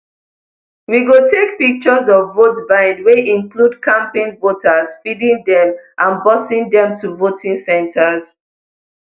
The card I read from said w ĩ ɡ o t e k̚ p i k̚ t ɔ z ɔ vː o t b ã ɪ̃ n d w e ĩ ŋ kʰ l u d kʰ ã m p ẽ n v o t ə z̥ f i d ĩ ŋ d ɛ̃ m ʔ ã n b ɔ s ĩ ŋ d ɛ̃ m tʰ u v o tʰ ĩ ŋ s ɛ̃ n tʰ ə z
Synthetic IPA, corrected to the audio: w i ɡ o t e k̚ p i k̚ t͡ʃ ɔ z ɔ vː o t b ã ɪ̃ n d w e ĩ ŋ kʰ l u d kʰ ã m p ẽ n v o t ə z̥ f i d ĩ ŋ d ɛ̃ m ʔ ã n b ɔ s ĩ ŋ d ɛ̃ m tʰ u v o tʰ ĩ ŋ s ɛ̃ n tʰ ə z